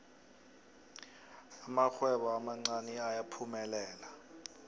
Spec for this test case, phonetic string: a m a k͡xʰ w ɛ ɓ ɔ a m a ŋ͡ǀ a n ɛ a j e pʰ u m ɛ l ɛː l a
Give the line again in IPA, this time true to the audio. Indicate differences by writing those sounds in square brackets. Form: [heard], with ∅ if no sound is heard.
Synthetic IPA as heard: a m a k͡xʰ w ɛ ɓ ɔ a m a ŋ͡ǀ a n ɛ a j [a] pʰ u m ɛ l ɛː l a